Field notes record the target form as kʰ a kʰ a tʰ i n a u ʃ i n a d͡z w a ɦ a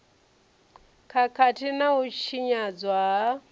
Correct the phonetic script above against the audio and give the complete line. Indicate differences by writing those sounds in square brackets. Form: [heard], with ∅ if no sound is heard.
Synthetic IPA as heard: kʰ a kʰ a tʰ i n a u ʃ i [ɲ] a d͡z w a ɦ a